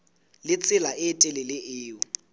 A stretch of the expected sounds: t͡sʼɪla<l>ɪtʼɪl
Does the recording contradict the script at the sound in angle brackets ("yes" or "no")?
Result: yes